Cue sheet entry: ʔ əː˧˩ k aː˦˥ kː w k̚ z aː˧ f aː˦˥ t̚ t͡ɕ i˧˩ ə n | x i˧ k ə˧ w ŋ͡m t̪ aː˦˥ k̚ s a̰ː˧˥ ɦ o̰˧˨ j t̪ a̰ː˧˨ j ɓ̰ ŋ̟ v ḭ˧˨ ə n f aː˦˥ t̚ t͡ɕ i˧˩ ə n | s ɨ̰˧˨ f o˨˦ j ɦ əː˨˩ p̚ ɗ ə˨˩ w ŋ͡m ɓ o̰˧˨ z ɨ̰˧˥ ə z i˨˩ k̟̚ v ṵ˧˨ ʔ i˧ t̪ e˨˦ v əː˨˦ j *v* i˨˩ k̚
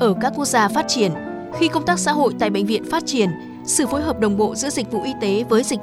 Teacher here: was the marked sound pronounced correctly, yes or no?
no